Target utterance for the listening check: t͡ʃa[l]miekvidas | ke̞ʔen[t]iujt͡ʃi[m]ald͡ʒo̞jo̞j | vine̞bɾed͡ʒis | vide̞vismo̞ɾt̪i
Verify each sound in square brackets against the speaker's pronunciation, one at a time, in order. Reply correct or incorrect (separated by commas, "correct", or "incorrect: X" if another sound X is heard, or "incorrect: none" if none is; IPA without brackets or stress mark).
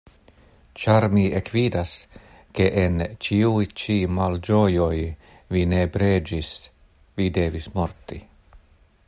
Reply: incorrect: ɾ, incorrect: t͡ʃ, correct